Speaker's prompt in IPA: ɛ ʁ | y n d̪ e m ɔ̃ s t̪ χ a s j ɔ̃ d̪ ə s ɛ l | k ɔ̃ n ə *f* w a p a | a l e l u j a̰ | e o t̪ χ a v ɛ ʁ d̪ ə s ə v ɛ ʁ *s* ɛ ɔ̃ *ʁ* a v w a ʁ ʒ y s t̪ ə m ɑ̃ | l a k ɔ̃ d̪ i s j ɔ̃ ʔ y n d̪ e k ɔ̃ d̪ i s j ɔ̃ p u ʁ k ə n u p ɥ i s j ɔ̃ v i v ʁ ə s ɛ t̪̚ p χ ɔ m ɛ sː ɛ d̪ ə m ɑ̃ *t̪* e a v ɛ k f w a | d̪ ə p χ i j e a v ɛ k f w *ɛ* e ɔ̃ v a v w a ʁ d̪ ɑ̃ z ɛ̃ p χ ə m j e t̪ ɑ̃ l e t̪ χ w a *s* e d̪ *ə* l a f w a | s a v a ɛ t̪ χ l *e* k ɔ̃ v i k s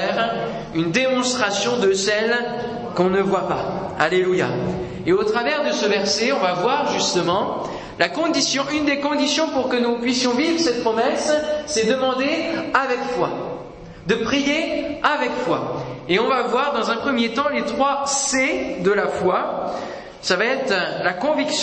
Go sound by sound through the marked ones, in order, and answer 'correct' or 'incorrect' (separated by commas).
incorrect, correct, incorrect, incorrect, incorrect, correct, correct, incorrect